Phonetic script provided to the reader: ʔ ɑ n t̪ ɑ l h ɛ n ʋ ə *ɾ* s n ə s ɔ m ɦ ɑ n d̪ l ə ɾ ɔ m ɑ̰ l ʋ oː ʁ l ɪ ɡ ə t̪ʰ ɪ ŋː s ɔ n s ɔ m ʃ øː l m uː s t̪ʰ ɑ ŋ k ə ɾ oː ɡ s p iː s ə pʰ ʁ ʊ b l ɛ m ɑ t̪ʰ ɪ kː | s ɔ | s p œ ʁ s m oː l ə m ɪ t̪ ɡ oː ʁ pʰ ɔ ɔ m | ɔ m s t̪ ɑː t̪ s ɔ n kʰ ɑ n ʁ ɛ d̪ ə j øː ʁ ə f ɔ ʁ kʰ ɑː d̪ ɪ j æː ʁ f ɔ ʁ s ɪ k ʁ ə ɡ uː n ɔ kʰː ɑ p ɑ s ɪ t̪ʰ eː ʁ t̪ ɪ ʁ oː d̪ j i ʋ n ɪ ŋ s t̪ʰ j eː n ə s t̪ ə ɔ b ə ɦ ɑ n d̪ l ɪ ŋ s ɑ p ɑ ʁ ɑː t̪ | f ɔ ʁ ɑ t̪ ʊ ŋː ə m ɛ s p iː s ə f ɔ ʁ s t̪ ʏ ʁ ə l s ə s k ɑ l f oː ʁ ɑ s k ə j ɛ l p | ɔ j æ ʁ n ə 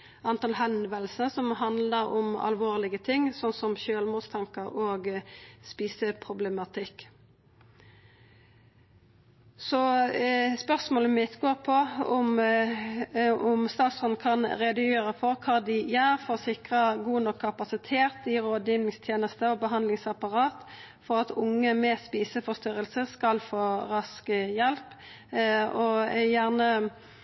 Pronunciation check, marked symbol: incorrect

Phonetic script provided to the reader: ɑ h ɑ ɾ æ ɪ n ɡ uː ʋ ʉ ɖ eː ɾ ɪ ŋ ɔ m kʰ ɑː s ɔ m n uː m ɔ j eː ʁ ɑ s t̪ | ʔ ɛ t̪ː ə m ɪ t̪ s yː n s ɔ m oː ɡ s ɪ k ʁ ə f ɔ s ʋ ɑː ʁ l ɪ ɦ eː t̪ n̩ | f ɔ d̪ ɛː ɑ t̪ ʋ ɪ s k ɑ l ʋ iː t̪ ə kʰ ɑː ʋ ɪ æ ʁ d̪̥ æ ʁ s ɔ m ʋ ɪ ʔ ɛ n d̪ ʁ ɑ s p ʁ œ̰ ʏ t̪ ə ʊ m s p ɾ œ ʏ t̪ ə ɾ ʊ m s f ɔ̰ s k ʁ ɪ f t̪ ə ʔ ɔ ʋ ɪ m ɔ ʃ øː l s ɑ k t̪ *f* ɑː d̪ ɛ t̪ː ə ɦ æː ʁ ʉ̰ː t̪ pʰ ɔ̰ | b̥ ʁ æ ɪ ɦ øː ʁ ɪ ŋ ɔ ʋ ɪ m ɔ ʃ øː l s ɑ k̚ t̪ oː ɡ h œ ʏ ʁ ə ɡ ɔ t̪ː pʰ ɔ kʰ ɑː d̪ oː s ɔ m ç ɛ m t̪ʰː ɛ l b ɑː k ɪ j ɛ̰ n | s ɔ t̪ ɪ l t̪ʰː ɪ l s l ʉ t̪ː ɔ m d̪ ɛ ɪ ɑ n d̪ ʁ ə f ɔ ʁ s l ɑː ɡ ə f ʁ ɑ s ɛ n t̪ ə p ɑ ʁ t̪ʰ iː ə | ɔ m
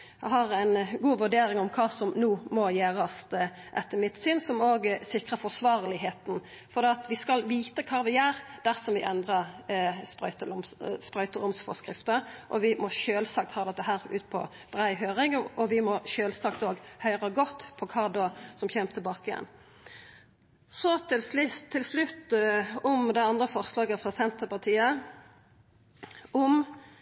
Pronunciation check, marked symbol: incorrect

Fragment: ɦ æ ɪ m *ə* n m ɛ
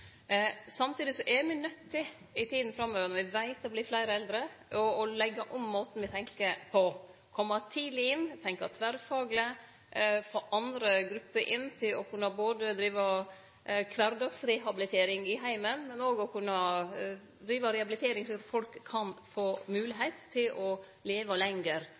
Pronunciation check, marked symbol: correct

